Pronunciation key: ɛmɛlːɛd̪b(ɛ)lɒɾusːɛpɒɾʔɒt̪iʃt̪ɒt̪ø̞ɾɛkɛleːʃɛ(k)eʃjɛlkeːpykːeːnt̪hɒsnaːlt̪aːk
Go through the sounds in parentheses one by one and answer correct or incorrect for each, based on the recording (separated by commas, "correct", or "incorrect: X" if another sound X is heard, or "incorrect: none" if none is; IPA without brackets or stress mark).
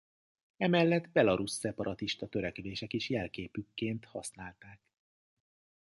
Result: correct, correct